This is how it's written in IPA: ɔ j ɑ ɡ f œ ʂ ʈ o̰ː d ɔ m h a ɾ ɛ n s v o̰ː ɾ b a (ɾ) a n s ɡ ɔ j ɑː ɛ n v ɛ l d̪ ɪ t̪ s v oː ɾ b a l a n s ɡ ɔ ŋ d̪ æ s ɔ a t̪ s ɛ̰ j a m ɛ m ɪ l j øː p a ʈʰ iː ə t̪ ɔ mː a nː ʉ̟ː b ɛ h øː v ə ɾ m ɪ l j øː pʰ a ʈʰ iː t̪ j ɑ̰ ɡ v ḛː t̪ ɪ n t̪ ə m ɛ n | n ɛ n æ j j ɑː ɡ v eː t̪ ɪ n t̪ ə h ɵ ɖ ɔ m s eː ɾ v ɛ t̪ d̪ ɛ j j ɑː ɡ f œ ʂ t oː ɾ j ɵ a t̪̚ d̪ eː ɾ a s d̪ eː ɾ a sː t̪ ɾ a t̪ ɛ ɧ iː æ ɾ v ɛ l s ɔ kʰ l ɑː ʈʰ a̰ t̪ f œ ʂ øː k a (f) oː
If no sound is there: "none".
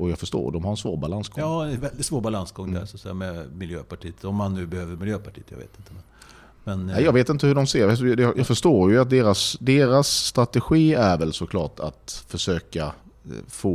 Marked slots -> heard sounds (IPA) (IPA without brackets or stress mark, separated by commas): l, f